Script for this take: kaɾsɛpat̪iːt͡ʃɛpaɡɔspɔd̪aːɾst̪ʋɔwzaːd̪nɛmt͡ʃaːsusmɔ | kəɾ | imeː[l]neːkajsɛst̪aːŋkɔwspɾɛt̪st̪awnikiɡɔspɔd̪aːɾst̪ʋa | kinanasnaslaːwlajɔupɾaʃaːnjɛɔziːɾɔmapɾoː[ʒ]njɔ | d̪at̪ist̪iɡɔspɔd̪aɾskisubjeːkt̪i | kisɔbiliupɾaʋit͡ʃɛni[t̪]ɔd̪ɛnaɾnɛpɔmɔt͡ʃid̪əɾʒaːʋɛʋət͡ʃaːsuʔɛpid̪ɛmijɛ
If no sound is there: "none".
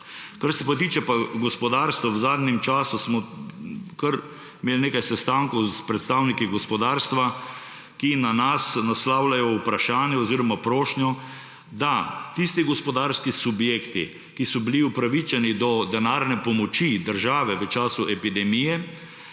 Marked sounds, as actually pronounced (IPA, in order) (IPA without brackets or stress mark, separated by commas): l, ʃ, d̪